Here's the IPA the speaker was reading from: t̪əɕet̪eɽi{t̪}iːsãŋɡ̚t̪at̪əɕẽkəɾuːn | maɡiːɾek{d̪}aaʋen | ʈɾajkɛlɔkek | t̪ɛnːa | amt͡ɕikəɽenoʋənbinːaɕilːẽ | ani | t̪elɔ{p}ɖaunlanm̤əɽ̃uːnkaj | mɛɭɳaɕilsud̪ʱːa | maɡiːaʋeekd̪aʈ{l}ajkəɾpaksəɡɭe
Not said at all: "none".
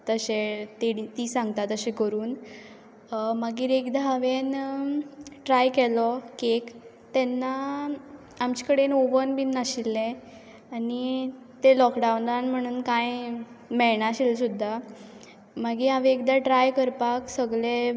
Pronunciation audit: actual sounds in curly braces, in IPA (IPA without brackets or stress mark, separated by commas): t̪, d̪, k, ɾ